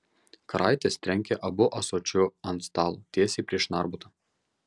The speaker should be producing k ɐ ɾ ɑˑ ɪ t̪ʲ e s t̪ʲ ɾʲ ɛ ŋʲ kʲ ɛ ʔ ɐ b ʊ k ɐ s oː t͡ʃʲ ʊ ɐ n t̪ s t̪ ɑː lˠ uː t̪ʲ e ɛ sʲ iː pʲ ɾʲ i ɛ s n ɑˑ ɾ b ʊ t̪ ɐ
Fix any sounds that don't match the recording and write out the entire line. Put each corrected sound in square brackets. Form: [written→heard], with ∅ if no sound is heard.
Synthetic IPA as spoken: k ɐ ɾ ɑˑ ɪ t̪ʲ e s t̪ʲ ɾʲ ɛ ŋʲ kʲ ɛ ʔ ɐ b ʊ [k→ʔ] ɐ s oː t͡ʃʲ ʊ ɐ n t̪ s t̪ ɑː lˠ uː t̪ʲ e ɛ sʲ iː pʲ ɾʲ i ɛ [s→ʃ] n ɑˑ ɾ b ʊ t̪ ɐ